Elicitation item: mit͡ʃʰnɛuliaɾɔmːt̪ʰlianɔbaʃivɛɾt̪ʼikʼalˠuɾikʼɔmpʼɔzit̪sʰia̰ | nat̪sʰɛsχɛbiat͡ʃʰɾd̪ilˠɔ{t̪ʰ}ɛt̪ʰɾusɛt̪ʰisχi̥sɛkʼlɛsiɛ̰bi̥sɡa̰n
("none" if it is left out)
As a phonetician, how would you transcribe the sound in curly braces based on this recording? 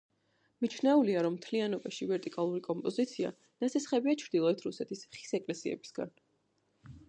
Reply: none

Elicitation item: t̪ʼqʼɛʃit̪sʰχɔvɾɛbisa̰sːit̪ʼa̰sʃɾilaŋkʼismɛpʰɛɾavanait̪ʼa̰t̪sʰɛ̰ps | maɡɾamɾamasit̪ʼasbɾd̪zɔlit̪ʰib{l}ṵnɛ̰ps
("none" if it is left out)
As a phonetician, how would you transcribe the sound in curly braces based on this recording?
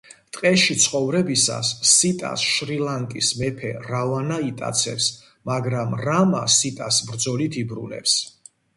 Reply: ɾ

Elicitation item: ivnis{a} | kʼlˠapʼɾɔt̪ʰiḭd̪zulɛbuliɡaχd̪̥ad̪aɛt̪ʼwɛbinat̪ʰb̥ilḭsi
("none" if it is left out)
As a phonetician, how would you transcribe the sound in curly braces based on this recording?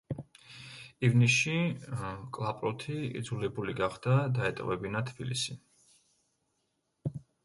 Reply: i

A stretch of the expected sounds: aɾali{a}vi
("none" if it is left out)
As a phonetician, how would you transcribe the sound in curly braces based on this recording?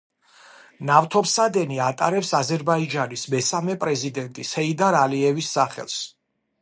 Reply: ɛ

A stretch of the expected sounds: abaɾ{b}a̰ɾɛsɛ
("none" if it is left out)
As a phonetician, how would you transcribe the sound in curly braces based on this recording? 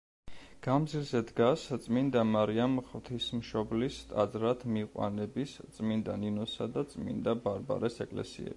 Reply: b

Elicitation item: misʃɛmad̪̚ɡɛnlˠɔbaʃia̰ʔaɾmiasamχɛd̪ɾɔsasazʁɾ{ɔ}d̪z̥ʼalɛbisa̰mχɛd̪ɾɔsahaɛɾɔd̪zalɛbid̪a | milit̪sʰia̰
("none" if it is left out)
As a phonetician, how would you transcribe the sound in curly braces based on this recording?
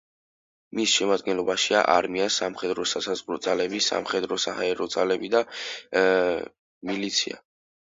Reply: ɔ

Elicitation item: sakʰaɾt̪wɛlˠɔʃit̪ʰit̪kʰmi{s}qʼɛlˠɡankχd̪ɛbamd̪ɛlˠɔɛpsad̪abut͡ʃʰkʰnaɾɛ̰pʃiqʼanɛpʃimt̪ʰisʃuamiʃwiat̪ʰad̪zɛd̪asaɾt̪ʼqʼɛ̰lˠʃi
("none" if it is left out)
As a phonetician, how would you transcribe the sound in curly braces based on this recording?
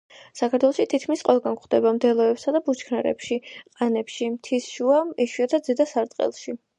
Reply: s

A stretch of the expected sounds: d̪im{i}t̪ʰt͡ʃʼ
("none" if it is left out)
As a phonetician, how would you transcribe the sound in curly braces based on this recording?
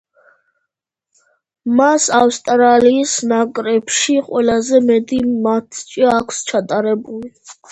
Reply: a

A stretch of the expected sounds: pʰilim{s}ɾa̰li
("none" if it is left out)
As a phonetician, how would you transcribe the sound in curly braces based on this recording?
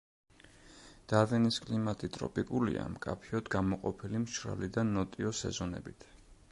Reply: ʃ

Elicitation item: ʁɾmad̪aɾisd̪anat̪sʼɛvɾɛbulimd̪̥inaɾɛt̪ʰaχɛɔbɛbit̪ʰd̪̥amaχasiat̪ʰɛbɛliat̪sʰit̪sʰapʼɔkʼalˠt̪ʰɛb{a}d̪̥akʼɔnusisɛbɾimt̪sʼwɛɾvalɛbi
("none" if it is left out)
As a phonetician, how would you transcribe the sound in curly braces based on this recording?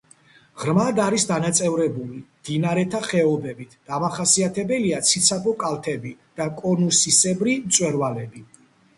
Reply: i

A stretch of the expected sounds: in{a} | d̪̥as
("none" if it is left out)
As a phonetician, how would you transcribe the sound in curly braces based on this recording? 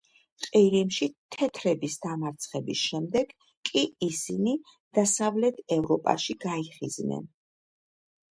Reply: i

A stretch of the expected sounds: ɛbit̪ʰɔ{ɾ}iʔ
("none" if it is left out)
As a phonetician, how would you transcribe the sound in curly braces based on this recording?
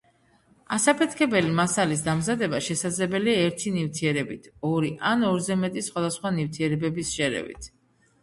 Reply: ɾ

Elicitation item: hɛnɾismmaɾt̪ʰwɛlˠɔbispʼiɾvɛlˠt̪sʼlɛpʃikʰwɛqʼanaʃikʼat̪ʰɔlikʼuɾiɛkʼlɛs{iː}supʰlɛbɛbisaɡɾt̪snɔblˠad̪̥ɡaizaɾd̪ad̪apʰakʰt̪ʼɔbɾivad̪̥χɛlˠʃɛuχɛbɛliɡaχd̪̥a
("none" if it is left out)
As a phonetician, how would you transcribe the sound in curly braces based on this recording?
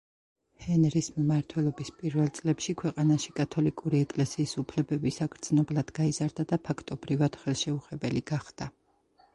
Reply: iː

